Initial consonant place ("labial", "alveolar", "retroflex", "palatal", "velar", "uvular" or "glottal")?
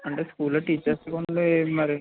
retroflex